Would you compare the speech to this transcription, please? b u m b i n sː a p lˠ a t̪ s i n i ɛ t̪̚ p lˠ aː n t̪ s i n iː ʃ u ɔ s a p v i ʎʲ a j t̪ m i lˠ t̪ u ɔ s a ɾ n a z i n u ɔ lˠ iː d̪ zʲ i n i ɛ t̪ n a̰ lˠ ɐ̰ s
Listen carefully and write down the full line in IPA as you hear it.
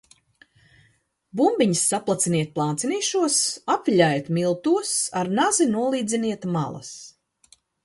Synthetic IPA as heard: b u m b i ɲ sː a p lˠ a t̪ s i n i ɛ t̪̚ p lˠ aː n t̪ s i n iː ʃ u ɔ s a p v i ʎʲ a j t̪ m i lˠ t̪ u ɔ s a ɾ n a z i n u ɔ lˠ iː d̪ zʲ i n i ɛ t̪ m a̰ lˠ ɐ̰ s

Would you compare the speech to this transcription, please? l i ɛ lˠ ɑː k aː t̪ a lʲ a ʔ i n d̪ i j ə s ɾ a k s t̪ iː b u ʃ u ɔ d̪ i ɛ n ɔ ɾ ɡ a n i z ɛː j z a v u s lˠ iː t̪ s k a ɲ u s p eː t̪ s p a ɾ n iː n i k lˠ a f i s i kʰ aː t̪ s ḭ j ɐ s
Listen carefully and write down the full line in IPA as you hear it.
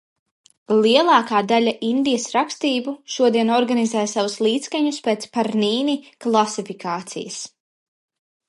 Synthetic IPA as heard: l i ɛ lˠ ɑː k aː d̪ a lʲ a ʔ i n d̪ i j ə s ɾ a k s t̪ iː b u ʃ u ɔ d̪ i ɛ n ɔ ɾ ɡ a n i z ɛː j s a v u s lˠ iː t̪ s k a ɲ u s p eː t̪ s p a ɾ n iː n i k lˠ a s i f i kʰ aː t̪ s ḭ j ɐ s

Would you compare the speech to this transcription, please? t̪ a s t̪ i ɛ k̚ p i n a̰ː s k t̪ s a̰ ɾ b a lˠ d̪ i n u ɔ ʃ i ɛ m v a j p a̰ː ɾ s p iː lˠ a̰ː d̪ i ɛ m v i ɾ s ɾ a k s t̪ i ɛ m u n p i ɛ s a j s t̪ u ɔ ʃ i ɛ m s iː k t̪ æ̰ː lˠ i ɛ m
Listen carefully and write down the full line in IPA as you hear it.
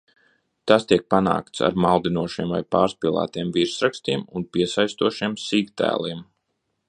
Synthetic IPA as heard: t̪ a s t̪ i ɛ k̚ p a n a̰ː k t̪ s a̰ ɾ m a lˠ d̪ i n u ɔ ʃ i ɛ m v a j p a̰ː ɾ s p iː lˠ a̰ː t̪ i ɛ m v i ɾ s ɾ a k s t̪ i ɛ m u n p i ɛ s a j s t̪ u ɔ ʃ i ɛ m s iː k t̪ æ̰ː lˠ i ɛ m

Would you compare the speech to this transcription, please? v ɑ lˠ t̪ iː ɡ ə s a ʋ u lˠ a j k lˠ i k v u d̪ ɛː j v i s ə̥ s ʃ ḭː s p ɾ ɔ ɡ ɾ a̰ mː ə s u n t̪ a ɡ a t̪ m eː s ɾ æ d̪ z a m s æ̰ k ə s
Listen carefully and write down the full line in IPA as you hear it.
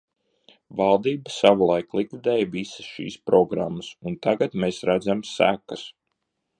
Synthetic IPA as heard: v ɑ lˠ d̪ iː b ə s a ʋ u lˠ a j k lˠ i k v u d̪ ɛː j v i s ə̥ s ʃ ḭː s p ɾ ɔ ɡ ɾ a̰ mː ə s u n t̪ a ɡ a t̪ m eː s ɾ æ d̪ z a m s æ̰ k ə s

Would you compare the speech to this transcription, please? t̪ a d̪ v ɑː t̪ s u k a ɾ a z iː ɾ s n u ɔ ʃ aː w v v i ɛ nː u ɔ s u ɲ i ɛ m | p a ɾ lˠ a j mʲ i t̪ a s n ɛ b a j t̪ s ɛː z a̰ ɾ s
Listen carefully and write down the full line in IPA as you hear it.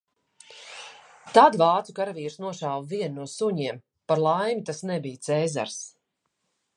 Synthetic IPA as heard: t̪ a d̪ v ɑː t̪ s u k a ɾ a v iː ɾ s n u ɔ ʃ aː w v v i ɛ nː u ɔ s u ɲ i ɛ m | p a ɾ lˠ a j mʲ i t̪ a s n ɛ b i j t̪ s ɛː z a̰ ɾ s

